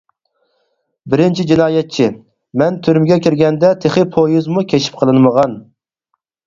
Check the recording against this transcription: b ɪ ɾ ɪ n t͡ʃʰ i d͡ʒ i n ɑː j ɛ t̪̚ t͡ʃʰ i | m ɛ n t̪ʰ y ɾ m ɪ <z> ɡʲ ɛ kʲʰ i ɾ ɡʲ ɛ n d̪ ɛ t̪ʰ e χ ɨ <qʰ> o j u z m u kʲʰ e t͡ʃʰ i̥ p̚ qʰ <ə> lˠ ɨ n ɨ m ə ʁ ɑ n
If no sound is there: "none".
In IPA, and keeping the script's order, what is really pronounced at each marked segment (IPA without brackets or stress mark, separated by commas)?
none, pʰ, ə